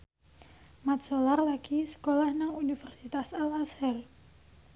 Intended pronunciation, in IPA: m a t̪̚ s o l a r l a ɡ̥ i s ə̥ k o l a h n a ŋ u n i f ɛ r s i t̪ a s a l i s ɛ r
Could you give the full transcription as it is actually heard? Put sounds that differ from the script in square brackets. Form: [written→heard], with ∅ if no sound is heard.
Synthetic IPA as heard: m a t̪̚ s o l a r l a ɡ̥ i s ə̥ k o l a h n a ŋ u n i f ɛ r s i t̪ a s a l [i→a] s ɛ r